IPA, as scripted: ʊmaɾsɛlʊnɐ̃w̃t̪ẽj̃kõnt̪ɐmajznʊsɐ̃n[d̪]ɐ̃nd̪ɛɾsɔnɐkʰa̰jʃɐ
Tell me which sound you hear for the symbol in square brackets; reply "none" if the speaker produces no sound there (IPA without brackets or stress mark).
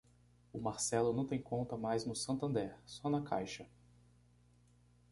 t̪